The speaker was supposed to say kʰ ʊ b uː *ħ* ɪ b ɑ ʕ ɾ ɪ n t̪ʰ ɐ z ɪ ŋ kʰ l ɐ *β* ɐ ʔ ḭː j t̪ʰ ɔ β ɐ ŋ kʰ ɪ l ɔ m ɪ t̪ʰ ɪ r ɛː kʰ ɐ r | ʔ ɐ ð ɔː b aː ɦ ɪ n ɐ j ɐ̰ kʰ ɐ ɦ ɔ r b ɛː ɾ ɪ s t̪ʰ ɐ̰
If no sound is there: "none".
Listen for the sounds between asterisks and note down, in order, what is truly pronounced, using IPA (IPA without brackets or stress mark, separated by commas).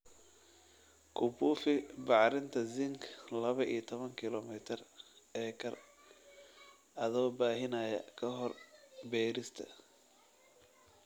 f, β